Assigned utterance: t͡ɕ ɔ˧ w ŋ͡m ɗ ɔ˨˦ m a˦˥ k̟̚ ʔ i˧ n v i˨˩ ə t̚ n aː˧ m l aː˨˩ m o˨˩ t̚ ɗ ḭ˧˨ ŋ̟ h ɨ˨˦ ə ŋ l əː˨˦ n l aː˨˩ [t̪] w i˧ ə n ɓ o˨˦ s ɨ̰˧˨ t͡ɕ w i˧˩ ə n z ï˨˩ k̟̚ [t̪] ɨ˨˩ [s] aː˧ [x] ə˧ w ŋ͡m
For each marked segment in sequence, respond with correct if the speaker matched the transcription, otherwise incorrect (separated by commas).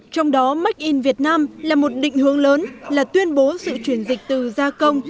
correct, correct, incorrect, incorrect